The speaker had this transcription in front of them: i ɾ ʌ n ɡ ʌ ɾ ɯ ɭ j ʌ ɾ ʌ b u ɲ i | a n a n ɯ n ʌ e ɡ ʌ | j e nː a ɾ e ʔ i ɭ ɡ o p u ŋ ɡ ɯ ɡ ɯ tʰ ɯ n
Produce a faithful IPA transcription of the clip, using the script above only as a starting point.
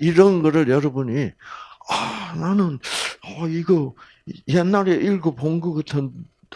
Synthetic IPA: i ɾ ʌ n ɡ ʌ ɾ ɯ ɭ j ʌ ɾ ʌ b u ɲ i | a n a n ɯ n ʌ i ɡ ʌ | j e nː a ɾ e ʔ i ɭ ɡ o p o ŋ ɡ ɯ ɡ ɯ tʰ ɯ n

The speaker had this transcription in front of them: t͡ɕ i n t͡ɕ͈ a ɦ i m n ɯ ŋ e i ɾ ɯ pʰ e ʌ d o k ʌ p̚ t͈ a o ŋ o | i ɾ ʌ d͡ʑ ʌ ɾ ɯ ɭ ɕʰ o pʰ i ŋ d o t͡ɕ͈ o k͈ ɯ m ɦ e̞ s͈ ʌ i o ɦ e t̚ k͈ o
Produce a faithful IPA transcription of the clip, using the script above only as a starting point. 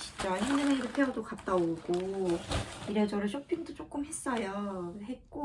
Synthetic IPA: t͡ɕ i n t͡ɕ͈ a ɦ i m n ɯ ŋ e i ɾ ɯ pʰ e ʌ d o k a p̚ t͈ a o ɡ o | i ɾ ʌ d͡ʑ ʌ ɾ ɯ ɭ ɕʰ o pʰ i ŋ d o t͡ɕ͈ o k͈ ɯ m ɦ e̞ s͈ ʌ j o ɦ e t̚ k͈ o

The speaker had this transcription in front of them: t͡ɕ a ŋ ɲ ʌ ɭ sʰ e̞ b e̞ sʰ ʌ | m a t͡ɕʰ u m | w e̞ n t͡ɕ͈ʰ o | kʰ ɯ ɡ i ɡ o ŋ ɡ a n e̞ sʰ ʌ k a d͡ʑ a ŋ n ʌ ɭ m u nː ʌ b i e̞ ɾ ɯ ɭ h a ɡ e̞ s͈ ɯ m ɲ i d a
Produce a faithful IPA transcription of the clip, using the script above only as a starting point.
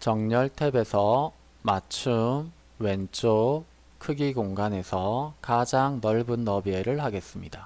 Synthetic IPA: t͡ɕ ʌ ŋ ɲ ʌ ɭ tʰ e̞ b e̞ sʰ ʌ | m a t͡ɕʰ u m | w e̞ n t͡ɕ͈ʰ o | kʰ ɯ ɡ i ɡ o ŋ ɡ a n e̞ sʰ ʌ k a d͡ʑ a ŋ n ʌ ɭ b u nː ʌ b i e̞ ɾ ɯ ɭ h a ɡ e̞ s͈ ɯ m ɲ i d a

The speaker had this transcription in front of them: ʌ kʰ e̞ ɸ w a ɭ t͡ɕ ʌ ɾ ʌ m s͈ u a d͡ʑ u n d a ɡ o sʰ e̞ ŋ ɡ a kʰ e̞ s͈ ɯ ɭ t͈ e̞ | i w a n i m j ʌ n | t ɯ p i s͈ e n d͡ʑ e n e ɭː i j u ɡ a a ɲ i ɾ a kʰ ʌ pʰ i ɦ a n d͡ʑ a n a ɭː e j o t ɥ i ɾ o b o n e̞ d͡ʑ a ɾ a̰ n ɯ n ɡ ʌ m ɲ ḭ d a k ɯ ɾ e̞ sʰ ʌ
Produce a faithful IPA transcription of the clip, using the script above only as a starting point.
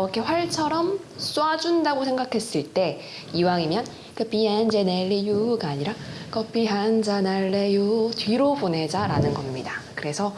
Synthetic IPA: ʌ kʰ e̞ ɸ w a ɭ t͡ɕʰ ʌ ɾ ʌ m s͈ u a d͡ʑ u n d a ɡ o sʰ e̞ ŋ ɡ a kʰ e̞ s͈ ɯ ɭ t͈ e̞ | i w a ŋ i m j ʌ n | k ɯ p i e n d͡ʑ e n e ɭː i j u ɡ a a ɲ i ɾ a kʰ ʌ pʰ i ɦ a n d͡ʑ a n a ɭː e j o t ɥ i ɾ o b o n e̞ d͡ʑ a ɾ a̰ n ɯ n ɡ ʌ m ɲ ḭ d a k ɯ ɾ e̞ sʰ ʌ

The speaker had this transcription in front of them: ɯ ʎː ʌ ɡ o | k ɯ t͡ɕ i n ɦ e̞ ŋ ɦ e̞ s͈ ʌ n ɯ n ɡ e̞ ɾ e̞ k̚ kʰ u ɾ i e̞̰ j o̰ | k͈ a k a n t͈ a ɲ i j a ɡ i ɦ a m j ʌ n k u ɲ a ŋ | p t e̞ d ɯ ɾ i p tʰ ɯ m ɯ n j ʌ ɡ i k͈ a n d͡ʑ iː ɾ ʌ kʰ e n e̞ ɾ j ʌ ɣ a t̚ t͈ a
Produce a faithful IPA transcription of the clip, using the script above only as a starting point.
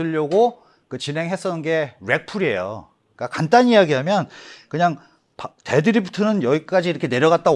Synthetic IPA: ɯ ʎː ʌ ɡ o | k ɯ t͡ɕ i n ɦ e̞ ŋ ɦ e̞ s͈ ʌ n ɯ n ɡ e̞ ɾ e̞ k̚ pʰ u ɾ i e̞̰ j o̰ | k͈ a k a n t͈ a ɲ i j a ɡ i ɦ a m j ʌ n k ɯ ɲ a ŋ | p t e̞ d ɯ ɾ i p tʰ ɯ n ɯ n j ʌ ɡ i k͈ a d͡ʑ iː ɾ ʌ kʰ e n e̞ ɾ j ʌ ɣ a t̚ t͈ a

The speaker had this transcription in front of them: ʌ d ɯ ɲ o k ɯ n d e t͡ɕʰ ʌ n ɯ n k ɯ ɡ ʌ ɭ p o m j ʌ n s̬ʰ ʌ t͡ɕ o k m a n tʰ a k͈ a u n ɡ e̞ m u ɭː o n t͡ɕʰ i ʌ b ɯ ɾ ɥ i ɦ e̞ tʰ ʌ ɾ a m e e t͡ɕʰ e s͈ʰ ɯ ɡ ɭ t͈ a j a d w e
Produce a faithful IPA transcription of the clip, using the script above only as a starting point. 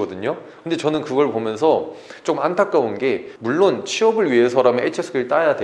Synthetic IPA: ʌ d ɯ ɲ o k ɯ n d e t͡ɕ ʌ n ɯ n k ɯ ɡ ʌ ɭ p o m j ʌ n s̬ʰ ʌ t͡ɕ o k m a n tʰ a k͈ a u n ɡ e̞ m u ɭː o n t͡ɕʰ i ʌ b ɯ ɭ ɥ i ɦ e̞ sʰ ʌ ɾ a m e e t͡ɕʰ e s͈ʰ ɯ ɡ ɭ t͈ a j a d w e

